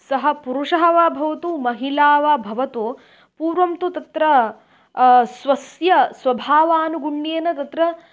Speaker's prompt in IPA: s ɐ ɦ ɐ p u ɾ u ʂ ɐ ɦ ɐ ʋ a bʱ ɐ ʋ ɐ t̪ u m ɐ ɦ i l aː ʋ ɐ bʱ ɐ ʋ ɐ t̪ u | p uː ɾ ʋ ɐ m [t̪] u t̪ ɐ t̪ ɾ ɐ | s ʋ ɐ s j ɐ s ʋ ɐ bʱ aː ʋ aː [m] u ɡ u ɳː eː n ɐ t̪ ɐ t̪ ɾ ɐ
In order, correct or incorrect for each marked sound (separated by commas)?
correct, incorrect